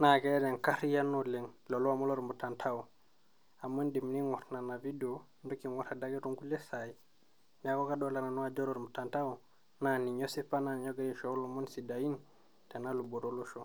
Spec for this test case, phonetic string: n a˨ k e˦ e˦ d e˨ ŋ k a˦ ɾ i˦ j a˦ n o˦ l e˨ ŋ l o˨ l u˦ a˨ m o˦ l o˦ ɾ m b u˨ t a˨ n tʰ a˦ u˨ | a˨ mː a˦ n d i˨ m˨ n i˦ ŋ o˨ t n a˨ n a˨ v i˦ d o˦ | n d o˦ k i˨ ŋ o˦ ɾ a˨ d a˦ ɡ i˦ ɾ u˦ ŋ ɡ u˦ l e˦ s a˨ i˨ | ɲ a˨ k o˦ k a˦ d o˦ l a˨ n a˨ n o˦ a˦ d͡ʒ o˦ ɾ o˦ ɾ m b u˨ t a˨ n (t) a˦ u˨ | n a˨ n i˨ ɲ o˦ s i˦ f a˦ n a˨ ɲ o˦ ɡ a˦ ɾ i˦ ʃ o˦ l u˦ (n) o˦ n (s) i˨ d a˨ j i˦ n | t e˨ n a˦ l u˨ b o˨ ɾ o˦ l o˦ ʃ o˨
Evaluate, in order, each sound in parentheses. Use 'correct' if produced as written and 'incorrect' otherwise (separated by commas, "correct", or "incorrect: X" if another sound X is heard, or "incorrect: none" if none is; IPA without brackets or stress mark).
correct, incorrect: m, correct